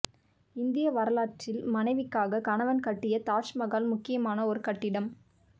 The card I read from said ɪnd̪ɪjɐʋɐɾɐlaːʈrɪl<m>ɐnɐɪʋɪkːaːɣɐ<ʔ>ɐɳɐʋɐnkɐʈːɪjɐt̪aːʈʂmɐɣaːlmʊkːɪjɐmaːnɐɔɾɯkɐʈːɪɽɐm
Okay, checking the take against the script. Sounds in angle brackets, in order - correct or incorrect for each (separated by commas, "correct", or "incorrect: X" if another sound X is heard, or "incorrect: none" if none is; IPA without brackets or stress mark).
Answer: correct, incorrect: k